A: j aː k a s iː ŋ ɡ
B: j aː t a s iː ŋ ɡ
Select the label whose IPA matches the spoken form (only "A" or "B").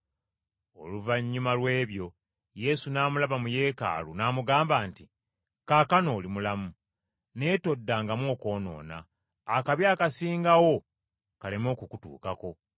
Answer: A